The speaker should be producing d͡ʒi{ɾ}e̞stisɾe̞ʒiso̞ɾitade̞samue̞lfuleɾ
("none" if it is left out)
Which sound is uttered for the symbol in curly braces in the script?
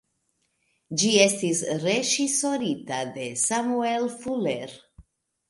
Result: none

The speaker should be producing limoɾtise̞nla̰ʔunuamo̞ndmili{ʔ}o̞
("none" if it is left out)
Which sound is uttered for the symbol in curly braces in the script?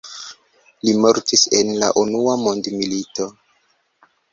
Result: t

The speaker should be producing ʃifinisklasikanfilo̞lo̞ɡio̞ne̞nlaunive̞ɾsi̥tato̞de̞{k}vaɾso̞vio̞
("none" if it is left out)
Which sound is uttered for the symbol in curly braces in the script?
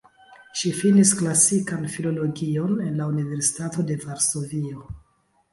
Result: none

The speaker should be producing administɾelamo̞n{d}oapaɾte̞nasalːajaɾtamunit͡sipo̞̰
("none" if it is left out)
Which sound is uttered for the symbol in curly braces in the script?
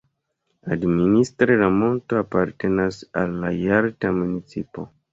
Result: t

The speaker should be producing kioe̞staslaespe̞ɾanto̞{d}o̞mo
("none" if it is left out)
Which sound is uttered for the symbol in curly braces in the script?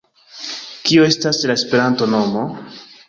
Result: n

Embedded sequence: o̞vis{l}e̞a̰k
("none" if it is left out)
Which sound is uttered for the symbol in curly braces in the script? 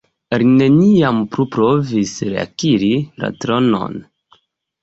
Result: ɾ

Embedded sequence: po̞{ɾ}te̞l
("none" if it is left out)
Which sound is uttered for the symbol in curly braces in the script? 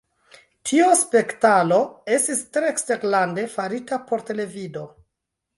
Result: ɾ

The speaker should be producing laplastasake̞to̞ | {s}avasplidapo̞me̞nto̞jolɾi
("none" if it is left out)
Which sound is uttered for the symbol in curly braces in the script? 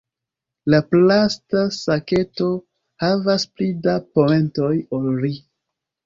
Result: h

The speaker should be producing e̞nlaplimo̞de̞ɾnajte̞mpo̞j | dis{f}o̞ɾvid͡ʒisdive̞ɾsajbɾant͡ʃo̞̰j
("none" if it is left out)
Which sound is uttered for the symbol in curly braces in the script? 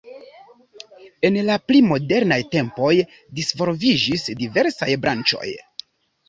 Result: v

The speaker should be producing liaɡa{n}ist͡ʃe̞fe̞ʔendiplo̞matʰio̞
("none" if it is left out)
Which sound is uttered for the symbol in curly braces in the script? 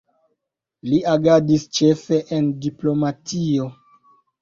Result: d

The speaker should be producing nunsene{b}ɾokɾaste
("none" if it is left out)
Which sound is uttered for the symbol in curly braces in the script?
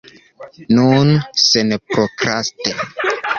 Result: p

